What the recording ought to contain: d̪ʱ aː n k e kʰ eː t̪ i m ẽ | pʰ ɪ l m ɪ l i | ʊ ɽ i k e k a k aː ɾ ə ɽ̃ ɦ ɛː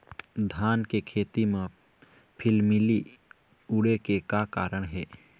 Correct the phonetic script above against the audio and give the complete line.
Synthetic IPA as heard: d̪ʱ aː n k e kʰ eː t̪ i m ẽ | pʰ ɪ l m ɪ l i | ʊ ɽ e k e k a k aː ɾ ə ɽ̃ ɦ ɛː